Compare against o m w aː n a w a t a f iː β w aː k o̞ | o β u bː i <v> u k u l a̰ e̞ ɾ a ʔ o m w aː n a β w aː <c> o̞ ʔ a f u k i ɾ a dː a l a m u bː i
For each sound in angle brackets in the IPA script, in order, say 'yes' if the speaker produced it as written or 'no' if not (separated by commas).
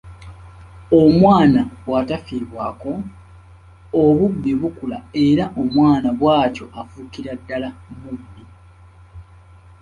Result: no, yes